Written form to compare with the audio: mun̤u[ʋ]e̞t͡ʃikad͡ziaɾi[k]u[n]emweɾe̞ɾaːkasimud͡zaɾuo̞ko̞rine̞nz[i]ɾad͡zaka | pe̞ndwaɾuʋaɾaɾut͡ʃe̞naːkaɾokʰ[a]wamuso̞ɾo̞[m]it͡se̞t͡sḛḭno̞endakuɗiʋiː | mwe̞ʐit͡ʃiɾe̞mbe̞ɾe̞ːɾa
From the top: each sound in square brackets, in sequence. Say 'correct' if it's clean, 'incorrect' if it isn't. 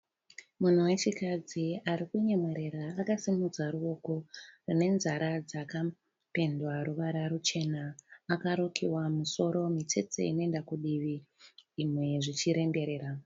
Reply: incorrect, correct, incorrect, incorrect, incorrect, correct

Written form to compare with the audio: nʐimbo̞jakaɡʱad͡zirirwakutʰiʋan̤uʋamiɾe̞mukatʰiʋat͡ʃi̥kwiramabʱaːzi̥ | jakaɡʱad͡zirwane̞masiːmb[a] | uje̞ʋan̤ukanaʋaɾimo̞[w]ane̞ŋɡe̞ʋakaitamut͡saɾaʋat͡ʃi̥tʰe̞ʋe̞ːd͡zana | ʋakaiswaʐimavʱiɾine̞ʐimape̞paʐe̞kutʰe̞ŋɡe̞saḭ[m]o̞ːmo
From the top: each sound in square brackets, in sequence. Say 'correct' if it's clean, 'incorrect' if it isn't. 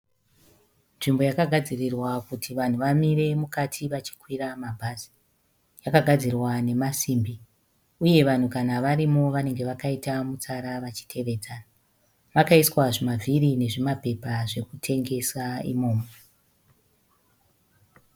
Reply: incorrect, incorrect, correct

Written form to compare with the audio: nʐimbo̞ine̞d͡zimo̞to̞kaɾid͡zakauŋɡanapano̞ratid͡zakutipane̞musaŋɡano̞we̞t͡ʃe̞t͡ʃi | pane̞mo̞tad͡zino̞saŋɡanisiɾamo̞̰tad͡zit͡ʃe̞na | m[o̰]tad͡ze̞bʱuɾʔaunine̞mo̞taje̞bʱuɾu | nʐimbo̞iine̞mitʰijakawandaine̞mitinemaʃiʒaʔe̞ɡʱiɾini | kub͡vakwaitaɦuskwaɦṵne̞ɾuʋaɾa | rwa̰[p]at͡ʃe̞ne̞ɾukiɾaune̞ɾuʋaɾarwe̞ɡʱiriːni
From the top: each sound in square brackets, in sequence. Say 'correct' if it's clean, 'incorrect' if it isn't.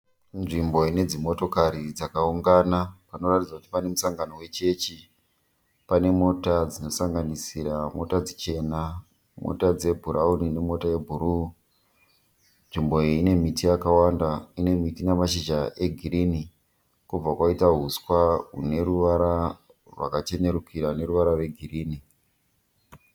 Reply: correct, incorrect

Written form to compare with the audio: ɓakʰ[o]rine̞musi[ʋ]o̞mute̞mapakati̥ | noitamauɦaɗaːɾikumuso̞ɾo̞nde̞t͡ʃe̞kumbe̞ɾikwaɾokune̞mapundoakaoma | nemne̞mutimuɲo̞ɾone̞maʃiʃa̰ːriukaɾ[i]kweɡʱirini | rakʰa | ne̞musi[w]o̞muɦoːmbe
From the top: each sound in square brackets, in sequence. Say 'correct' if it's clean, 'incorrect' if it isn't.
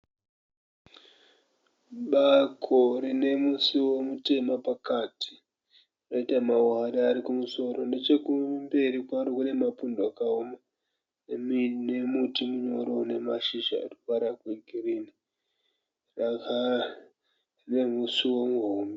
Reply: correct, incorrect, incorrect, correct

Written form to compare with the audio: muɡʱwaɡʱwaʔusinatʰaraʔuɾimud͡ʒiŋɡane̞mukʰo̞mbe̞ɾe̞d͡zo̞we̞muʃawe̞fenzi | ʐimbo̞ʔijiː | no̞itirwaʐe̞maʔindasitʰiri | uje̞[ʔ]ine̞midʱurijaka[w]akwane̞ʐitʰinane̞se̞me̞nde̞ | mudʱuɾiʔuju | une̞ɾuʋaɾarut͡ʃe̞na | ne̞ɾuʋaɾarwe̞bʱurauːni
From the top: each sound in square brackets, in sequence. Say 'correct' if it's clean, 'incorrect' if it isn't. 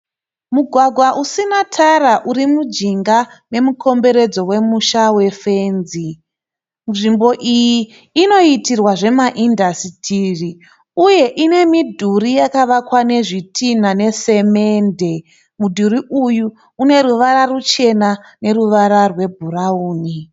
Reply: correct, incorrect

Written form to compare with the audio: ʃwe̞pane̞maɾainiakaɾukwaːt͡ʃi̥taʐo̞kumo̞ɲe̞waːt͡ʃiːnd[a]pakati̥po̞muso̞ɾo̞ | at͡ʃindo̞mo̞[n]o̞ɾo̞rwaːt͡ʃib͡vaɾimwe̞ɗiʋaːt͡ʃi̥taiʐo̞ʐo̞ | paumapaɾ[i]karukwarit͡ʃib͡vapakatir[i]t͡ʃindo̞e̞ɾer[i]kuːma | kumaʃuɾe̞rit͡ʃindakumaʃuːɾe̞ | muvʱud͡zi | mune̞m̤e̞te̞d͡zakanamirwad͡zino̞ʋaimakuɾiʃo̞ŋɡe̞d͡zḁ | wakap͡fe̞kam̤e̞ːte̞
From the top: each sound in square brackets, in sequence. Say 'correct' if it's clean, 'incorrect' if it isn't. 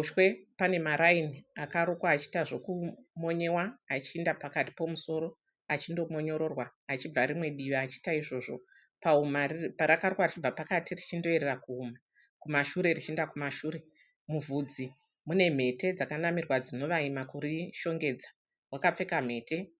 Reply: correct, incorrect, incorrect, correct, incorrect

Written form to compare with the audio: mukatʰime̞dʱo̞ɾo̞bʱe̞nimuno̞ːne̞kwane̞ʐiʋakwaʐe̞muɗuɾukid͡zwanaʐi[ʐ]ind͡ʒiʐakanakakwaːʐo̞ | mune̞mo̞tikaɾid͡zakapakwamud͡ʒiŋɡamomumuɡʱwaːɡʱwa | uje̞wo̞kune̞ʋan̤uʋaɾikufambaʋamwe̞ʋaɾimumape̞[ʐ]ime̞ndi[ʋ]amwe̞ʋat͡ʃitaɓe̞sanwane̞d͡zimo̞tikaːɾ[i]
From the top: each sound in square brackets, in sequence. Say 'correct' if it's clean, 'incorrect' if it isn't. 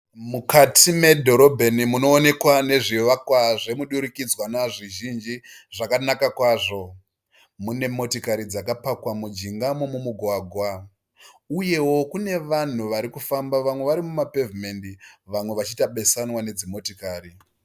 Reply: incorrect, incorrect, correct, correct

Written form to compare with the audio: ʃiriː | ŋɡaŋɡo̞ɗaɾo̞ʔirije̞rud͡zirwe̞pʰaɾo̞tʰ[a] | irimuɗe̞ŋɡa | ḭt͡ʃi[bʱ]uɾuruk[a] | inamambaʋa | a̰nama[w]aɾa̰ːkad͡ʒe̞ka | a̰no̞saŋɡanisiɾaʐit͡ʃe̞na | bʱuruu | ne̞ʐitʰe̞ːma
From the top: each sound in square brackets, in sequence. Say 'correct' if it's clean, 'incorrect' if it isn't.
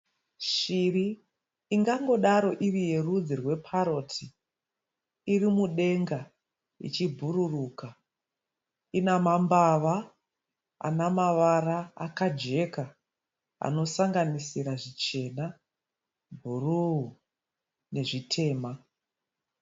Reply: incorrect, correct, correct, incorrect

